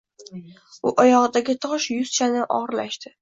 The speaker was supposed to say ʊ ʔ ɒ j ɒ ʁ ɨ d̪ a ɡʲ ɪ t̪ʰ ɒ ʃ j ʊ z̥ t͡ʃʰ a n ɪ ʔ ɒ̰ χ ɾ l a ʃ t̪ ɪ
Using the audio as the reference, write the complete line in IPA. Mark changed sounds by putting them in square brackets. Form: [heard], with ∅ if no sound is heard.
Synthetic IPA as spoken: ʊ ʔ ɒ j ɒ ʁ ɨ d̪ a ɡʲ ɪ t̪ʰ ɒ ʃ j ʊ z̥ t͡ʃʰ a n ɪ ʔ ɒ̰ [ʁ] ɾ l a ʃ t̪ ɪ